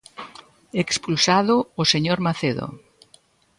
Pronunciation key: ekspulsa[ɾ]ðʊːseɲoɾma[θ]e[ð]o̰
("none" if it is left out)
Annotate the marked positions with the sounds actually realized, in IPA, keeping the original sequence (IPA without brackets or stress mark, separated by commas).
none, θ, ð